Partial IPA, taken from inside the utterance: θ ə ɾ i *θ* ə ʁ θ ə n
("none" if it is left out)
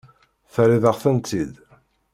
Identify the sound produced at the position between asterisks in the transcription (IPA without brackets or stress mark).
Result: ð